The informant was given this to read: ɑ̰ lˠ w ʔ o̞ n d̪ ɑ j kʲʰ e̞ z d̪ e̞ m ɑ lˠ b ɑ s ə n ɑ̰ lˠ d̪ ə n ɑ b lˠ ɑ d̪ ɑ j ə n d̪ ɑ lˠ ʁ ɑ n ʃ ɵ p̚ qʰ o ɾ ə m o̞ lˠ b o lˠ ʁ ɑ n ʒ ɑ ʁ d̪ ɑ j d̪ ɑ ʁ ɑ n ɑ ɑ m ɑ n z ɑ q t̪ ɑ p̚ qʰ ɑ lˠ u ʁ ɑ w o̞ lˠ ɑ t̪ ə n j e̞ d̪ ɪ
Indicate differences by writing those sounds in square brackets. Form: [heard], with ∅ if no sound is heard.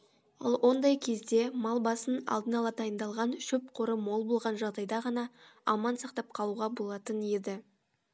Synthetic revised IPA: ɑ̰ lˠ w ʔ o̞ n d̪ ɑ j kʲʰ e̞ z d̪ e̞ m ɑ lˠ b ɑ s ə n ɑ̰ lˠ d̪ ə n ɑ [∅] lˠ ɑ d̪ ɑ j ə n d̪ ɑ lˠ ʁ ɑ n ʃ ɵ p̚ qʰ o ɾ ə m o̞ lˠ b o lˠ ʁ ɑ n ʒ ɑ ʁ d̪ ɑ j d̪ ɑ ʁ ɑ n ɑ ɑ m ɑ n [s] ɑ q t̪ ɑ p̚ qʰ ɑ lˠ u ʁ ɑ [b] o̞ lˠ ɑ t̪ ə n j e̞ d̪ ɪ